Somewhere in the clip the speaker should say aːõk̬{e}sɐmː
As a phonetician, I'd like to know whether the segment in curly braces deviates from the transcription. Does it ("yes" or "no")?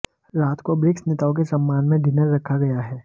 no